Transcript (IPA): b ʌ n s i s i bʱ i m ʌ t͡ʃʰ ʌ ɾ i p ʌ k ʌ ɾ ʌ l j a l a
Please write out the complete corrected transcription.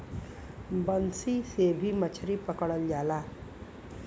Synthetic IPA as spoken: b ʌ n s i s e bʱ i m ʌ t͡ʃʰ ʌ ɾ i p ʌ k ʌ ɽ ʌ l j a l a